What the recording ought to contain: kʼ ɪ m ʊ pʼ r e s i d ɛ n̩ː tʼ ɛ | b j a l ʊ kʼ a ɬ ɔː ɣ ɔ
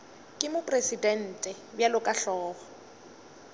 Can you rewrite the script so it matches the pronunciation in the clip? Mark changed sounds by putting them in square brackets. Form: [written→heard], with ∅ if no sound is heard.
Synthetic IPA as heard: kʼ ɪ m ʊ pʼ r e s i d ɛ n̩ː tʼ ɛ | b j a l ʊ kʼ a ɬ ɔː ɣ ɔ